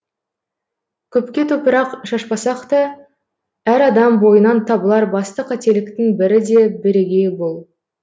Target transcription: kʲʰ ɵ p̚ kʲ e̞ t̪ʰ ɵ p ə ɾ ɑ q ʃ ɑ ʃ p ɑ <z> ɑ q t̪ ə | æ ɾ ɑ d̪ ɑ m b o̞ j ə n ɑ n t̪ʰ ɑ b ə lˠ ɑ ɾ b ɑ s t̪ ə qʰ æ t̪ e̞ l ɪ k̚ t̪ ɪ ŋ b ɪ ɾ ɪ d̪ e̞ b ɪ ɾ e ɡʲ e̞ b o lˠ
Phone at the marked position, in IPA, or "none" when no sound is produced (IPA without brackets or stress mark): s